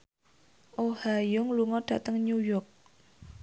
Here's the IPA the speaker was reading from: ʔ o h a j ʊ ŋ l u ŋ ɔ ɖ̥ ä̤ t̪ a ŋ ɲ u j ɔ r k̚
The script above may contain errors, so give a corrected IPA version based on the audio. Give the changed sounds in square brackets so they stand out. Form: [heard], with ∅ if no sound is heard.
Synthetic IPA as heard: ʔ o h a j ʊ ŋ l u ŋ ɔ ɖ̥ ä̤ t̪ [ə] ŋ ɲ u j ɔ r k̚